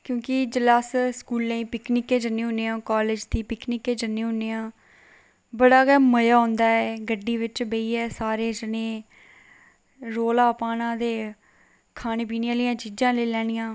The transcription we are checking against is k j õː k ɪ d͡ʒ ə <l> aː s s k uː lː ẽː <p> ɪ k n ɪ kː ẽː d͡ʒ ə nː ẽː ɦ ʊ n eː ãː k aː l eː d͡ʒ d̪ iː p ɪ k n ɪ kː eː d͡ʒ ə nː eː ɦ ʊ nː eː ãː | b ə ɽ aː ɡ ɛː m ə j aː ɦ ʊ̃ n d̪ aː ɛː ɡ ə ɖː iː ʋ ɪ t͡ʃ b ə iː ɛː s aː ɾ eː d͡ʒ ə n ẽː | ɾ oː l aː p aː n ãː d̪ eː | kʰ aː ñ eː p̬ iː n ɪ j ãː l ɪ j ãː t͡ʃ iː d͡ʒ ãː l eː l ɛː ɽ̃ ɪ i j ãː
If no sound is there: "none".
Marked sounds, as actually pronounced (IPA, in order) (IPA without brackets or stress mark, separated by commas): l, p